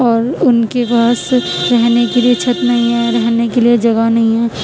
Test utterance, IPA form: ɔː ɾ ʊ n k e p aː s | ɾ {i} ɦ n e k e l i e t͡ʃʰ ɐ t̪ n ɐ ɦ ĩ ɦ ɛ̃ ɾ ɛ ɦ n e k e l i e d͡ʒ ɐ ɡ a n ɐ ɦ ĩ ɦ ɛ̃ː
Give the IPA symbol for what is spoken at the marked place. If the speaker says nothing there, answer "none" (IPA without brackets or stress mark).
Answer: ɛ